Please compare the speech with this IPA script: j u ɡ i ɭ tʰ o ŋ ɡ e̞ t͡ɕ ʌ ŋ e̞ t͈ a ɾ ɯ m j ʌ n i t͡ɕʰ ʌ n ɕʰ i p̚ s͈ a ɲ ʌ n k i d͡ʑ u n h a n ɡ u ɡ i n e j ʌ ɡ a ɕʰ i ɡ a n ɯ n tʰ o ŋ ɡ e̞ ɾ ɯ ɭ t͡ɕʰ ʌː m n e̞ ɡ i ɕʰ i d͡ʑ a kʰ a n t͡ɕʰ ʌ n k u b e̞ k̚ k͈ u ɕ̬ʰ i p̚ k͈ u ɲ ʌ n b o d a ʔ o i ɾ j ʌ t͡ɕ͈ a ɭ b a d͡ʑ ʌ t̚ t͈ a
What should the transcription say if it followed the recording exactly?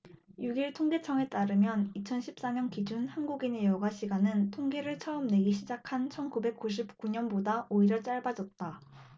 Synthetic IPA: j u ɡ i ɭ tʰ o ŋ ɡ e̞ t͡ɕʰ ʌ ŋ e̞ t͈ a ɾ ɯ m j ʌ n i t͡ɕʰ ʌ n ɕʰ i p̚ s͈ a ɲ ʌ n k i d͡ʑ u n h a n ɡ u ɡ i n e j ʌ ɡ a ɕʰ i ɡ a n ɯ n tʰ o ŋ ɡ e̞ ɾ ɯ ɭ t͡ɕʰ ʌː m n e̞ ɡ i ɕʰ i d͡ʑ a kʰ a n t͡ɕʰ ʌ n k u b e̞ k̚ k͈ u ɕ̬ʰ i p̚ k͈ u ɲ ʌ n b o d a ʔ o i ɾ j ʌ t͡ɕ͈ a ɭ b a d͡ʑ ʌ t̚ t͈ a